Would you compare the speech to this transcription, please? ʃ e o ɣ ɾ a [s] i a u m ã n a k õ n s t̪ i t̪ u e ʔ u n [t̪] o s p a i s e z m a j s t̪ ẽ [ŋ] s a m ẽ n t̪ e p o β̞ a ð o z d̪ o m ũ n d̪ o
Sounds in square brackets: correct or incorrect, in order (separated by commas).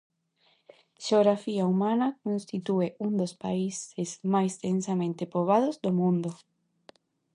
incorrect, incorrect, incorrect